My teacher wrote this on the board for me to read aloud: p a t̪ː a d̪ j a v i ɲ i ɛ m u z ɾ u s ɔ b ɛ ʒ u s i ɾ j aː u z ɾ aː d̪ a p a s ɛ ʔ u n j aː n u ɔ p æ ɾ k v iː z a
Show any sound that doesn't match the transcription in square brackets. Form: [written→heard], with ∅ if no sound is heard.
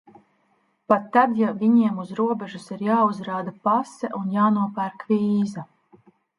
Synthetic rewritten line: p a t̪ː a d̪ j a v i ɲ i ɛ m u z ɾ u [s→∅] ɔ b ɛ ʒ u s i ɾ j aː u z ɾ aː d̪ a p a s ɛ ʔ u n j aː n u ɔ p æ ɾ k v iː z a